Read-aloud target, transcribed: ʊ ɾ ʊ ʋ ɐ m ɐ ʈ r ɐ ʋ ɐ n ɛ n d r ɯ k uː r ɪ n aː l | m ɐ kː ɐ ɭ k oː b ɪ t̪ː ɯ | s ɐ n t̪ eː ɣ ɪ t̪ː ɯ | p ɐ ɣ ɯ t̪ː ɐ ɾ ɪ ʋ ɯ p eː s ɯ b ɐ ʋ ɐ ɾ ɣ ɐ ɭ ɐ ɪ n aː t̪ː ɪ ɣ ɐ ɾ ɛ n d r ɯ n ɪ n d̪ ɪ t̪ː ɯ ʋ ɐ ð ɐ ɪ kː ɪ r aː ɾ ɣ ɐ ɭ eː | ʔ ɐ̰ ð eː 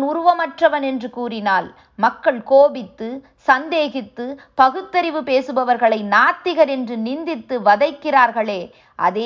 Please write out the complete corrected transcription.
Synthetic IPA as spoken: ʊ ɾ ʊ ʋ ɐ m ɐ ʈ r ɐ ʋ ɐ n ɛ n d r ɯ k uː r ɪ n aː l | m ɐ kː ɐ ɭ k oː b ɪ t̪ː ɯ | s ɐ n d̪ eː ɣ ɪ t̪ː ɯ | p ɐ ɣ ɯ t̪ː ɐ ɾ ɪ ʋ ɯ p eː s ɯ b ɐ ʋ ɐ ɾ ɣ ɐ ɭ ɐ ɪ n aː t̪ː ɪ ɣ ɐ ɾ ɛ n d r ɯ n ɪ n d̪ ɪ t̪ː ɯ ʋ ɐ ð ɐ ɪ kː ɪ r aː ɾ ɣ ɐ ɭ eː | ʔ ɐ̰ ð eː